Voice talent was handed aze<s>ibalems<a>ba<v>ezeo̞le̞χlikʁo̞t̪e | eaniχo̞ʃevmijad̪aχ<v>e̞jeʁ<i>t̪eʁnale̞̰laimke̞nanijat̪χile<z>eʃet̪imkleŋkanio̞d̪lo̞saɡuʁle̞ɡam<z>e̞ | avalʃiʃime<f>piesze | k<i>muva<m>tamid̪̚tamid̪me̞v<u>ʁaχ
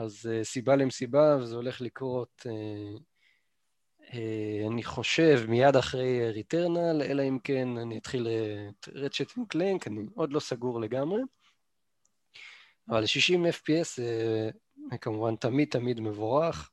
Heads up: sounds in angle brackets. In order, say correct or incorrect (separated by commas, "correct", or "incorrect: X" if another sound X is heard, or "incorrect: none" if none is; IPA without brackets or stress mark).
correct, incorrect: i, correct, incorrect: ʁ, correct, incorrect: ʁ, incorrect: ʁ, correct, incorrect: a, incorrect: n, incorrect: o